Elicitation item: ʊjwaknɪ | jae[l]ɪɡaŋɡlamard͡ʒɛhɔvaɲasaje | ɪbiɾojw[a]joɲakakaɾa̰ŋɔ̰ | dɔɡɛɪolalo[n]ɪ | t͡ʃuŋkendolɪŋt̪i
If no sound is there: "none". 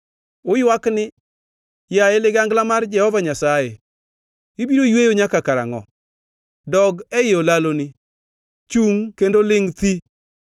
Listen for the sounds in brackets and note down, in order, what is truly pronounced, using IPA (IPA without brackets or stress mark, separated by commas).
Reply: l, e, n